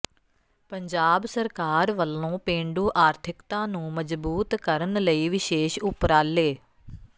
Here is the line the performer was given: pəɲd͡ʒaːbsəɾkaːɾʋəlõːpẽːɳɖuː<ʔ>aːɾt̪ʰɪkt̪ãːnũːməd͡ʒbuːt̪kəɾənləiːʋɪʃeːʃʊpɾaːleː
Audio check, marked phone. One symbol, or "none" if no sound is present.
ʔ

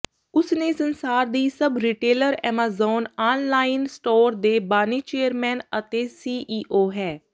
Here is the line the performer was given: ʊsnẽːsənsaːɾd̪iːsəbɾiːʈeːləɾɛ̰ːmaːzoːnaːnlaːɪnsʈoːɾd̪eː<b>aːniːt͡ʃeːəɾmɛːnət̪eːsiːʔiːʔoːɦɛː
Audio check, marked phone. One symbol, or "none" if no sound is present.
b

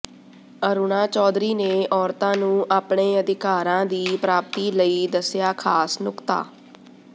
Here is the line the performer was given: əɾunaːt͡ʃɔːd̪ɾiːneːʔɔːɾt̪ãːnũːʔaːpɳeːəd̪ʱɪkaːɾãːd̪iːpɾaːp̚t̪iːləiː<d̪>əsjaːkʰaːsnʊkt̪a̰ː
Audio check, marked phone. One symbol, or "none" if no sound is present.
d̪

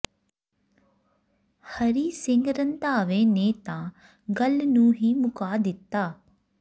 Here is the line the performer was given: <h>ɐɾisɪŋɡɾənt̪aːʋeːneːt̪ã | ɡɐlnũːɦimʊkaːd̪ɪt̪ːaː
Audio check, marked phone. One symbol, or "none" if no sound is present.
h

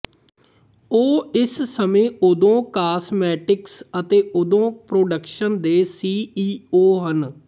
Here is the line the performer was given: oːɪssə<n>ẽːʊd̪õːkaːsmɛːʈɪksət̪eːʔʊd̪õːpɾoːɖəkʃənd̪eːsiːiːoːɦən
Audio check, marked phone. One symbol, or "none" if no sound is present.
m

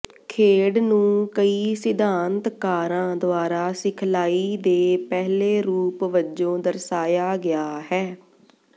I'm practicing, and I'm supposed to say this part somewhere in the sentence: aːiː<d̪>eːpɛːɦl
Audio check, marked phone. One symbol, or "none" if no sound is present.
d̪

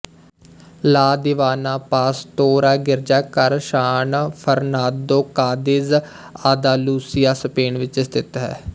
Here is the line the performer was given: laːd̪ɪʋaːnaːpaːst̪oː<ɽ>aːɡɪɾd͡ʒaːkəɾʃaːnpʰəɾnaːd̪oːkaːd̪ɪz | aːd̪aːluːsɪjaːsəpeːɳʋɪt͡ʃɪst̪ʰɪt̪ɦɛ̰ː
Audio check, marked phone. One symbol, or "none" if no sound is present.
ɾ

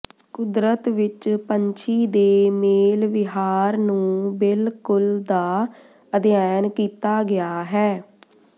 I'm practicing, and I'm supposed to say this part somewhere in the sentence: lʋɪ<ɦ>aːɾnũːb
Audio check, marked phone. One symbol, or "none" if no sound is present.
ɦ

